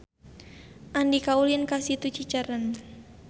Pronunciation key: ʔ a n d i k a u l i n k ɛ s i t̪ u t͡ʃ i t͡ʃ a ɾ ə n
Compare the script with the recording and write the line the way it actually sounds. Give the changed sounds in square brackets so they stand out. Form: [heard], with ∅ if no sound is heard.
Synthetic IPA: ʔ a n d i k a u l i n k [a] s i t̪ u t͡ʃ i t͡ʃ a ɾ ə n